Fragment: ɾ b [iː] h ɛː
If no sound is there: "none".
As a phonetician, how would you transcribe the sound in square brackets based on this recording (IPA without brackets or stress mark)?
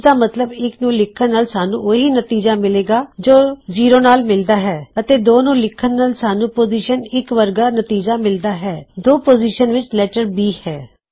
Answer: iː